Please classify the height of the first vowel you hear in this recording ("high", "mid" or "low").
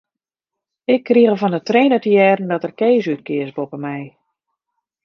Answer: high